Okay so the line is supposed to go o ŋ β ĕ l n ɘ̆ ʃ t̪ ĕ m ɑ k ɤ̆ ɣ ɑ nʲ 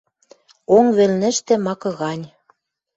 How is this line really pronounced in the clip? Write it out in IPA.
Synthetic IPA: o ŋ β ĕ l n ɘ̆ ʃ t̪ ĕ m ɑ k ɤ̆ ɣ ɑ nʲ